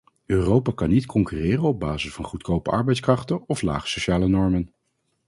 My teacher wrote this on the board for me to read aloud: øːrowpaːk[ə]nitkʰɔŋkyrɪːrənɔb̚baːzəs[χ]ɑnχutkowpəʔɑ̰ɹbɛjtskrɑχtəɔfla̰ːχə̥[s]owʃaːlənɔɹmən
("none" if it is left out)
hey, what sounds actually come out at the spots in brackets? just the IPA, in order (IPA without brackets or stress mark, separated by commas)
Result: ɑ, f, s